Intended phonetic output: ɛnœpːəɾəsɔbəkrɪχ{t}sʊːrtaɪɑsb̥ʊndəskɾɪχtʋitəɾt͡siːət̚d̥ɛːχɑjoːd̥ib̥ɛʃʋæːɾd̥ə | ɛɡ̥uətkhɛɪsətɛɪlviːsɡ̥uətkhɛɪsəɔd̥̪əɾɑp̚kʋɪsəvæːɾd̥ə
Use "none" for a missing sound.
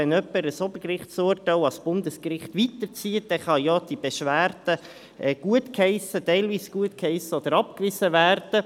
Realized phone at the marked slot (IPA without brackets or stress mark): t